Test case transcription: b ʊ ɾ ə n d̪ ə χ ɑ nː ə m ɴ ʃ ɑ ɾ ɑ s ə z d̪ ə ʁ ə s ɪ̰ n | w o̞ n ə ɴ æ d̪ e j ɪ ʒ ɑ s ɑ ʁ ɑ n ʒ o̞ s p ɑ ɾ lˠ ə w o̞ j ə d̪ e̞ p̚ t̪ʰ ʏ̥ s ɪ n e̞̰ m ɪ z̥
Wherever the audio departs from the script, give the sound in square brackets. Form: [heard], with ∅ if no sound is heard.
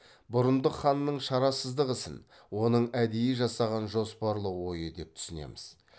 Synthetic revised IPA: b ʊ ɾ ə n d̪ ə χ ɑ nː ə [∅] ɴ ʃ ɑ ɾ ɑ s ə z d̪ ə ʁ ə s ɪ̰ n | w o̞ n ə ɴ æ d̪ e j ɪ ʒ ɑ s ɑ ʁ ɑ n ʒ o̞ s p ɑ ɾ lˠ ə w o̞ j ə d̪ e̞ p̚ t̪ʰ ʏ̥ s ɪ n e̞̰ m ɪ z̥